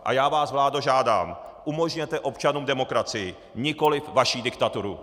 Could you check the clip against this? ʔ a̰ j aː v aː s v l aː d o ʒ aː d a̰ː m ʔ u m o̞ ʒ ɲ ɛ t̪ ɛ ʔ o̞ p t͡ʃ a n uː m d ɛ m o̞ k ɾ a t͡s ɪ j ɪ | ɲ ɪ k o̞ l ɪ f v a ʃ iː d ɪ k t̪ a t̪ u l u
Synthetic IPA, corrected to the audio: ʔ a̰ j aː v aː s v l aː d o ʒ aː d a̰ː m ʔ u m o̞ ʒ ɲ ɛ t̪ ɛ ʔ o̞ p t͡ʃ a n uː m d ɛ m o̞ k ɾ a t͡s ɪ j ɪ | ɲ ɪ k o̞ l ɪ f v a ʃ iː d ɪ k t̪ a t̪ u ɾ u